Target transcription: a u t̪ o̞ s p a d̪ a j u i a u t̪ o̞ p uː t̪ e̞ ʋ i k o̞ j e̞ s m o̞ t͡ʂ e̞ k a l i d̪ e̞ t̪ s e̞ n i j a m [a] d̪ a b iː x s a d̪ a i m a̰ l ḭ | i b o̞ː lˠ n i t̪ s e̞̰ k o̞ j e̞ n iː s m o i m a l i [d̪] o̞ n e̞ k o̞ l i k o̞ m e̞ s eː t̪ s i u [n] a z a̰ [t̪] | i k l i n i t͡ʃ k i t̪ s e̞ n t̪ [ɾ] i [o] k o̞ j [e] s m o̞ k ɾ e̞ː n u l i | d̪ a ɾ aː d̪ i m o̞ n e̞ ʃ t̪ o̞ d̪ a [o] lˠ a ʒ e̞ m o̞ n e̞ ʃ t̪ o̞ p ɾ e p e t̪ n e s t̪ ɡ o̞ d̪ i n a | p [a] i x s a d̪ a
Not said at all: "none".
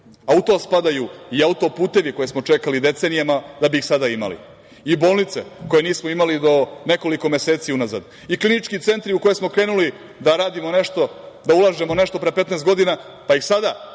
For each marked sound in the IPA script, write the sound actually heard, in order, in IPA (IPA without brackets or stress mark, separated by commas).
a, d̪, n, d̪, ɾ, u, e, u, a